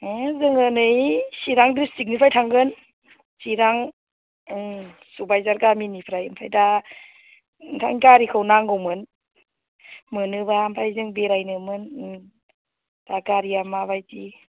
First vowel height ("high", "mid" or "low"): high